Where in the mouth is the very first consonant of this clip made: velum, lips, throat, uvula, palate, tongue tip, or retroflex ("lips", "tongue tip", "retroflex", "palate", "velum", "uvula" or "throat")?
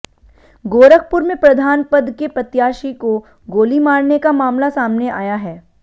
velum